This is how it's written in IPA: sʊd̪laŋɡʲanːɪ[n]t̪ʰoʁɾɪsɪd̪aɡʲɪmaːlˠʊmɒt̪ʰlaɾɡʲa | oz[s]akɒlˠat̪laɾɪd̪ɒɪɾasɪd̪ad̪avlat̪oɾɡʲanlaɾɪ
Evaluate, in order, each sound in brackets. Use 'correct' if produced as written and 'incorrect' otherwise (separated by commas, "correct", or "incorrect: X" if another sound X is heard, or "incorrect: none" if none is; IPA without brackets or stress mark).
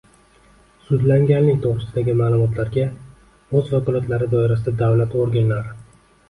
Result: incorrect: ŋ, incorrect: f